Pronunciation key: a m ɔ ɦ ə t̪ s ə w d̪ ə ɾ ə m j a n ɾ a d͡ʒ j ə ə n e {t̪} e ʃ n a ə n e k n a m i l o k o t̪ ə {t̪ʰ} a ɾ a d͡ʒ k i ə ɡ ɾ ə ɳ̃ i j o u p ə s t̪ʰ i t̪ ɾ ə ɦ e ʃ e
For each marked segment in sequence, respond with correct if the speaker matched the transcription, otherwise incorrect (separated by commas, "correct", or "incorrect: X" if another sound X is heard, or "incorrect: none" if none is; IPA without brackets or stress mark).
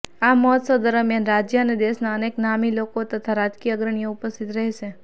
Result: incorrect: d̪, correct